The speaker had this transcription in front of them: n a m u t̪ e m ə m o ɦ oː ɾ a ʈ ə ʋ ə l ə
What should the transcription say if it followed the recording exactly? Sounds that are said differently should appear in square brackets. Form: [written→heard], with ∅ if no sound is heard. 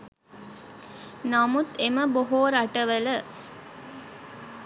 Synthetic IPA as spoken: n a m u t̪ e m ə [m→b] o ɦ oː ɾ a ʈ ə ʋ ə l ə